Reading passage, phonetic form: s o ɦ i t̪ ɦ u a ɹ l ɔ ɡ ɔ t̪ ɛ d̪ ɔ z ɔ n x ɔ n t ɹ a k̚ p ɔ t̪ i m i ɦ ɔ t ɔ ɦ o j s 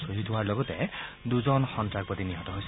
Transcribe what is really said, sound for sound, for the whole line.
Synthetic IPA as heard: s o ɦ i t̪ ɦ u a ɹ l ɔ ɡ ɔ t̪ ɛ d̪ u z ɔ n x ɔ n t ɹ a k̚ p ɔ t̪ i n i ɦ ɔ t ɔ ɦ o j s